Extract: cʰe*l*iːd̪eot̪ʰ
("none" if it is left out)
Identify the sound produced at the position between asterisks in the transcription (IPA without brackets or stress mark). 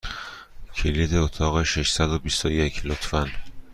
l